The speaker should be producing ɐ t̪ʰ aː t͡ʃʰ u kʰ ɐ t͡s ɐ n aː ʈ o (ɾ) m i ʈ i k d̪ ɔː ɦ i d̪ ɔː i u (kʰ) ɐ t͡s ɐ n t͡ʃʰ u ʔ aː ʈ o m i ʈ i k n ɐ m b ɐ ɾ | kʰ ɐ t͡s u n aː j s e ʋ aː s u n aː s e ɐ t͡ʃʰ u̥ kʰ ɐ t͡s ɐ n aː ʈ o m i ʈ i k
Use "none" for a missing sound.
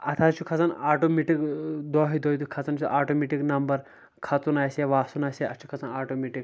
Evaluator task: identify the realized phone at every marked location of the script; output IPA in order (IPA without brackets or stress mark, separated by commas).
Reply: none, kʰ